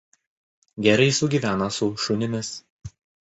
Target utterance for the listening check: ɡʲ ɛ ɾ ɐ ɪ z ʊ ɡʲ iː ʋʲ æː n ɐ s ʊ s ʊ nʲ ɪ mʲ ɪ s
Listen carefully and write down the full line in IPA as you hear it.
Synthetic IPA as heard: ɡʲ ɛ ɾ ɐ ɪ s ʊ ɡʲ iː ʋʲ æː n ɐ s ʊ ʃ ʊ nʲ ɪ mʲ ɪ s